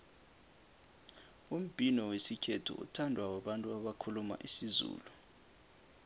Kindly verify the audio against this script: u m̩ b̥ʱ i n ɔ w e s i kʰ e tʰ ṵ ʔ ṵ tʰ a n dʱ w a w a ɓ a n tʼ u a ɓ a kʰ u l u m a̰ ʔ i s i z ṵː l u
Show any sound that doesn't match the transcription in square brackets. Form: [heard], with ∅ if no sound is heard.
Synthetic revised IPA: u m̩ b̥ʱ i n ɔ w e s i kʰ e tʰ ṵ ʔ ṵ tʰ a n dʱ w a w a ɓ a n tʼ u a ɓ a kʰ u l u m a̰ ʔ i s i z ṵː l u